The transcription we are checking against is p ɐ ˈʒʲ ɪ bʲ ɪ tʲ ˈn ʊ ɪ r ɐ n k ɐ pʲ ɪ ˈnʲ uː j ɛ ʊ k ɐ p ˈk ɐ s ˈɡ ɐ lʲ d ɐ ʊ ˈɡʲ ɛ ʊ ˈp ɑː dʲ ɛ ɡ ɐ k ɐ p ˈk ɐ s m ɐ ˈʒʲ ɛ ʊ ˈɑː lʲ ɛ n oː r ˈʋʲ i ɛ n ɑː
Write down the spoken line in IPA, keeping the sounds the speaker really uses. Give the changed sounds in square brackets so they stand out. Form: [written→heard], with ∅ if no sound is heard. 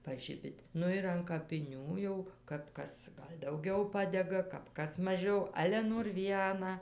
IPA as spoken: p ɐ ˈʒʲ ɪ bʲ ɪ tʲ ˈn ʊ ɪ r ɐ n k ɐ pʲ ɪ ˈnʲ uː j ɛ ʊ k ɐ p ˈk ɐ s ˈɡ ɐ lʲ d ɐ ʊ ˈɡʲ ɛ ʊ ˈp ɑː dʲ ɛ ɡ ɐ k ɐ p ˈk ɐ s m ɐ ˈʒʲ ɛ ʊ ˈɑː lʲ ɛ n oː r ˈʋʲ i ɛ n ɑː